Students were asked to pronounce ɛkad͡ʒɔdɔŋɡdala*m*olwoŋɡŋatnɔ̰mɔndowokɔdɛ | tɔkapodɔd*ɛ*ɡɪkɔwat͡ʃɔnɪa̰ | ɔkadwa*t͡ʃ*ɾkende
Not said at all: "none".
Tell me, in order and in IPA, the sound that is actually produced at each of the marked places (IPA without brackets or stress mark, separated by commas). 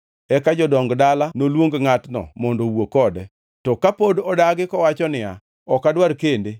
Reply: n, a, none